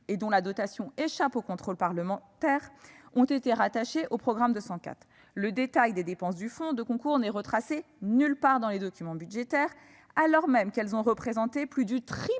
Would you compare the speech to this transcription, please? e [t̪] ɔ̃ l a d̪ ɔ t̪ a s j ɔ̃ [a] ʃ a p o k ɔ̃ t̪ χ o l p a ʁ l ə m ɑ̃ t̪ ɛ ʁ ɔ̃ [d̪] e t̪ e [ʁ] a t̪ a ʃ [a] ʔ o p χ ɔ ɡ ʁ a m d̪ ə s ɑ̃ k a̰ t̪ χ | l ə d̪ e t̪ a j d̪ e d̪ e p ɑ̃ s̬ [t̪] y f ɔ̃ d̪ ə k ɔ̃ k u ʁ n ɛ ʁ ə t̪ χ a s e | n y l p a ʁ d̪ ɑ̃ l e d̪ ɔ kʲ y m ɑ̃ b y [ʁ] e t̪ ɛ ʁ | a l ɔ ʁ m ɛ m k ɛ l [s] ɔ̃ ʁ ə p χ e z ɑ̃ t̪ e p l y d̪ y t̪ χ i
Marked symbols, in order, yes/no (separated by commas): no, no, no, yes, no, no, no, no